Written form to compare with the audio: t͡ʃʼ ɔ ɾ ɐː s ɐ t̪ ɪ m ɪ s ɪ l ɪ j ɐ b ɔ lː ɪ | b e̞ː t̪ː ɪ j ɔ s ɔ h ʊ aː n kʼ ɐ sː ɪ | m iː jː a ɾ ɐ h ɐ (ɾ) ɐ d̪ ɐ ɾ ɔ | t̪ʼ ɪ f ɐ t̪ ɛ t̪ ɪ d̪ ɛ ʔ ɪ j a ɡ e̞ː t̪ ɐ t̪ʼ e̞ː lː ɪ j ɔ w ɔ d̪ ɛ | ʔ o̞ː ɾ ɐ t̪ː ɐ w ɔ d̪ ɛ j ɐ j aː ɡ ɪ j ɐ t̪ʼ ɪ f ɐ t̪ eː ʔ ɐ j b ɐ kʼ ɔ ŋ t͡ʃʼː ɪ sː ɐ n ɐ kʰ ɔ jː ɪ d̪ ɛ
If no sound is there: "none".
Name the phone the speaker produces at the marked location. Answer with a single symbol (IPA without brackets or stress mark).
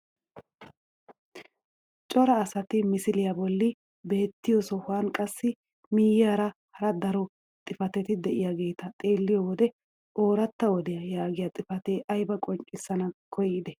ɾ